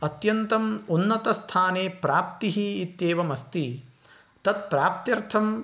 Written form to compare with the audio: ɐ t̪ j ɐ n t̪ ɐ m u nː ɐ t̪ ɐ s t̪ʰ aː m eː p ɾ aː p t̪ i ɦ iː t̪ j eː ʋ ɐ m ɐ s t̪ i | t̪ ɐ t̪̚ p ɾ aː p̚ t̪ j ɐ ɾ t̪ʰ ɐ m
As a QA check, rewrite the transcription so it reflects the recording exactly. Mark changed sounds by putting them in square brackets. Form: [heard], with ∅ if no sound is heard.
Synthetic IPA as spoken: ɐ t̪ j ɐ n t̪ ɐ m u nː ɐ t̪ ɐ s t̪ʰ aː [n] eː p ɾ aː p t̪ i ɦ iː t̪ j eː ʋ ɐ m ɐ s t̪ i | t̪ ɐ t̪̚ p ɾ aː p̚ t̪ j ɐ ɾ t̪ʰ ɐ m